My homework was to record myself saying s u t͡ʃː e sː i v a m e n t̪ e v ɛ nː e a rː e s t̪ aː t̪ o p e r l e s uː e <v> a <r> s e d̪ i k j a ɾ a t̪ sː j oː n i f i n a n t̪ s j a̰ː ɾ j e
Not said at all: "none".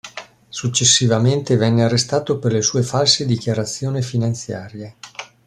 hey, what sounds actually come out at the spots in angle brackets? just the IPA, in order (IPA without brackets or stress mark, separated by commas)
f, l